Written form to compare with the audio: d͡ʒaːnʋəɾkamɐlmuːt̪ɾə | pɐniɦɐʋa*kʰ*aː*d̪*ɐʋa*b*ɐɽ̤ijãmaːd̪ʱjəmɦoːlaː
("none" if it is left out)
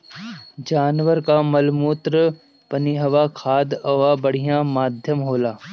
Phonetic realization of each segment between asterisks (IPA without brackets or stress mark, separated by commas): kʰ, d̪, b